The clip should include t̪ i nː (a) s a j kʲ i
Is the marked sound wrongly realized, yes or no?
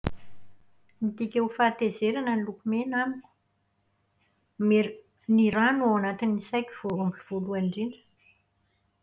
yes